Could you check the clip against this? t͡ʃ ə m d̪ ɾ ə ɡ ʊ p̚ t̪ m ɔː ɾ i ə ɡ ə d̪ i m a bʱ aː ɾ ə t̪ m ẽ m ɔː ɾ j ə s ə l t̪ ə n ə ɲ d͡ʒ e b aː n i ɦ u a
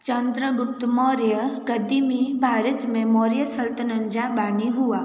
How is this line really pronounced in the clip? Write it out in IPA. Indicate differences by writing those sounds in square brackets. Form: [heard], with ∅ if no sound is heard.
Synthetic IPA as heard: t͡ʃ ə [n] d̪ ɾ ə ɡ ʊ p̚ t̪ m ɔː ɾ [j] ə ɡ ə d̪ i m [i] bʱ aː ɾ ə t̪ m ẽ m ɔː ɾ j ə s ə l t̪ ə n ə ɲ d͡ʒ [a] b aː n i ɦ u a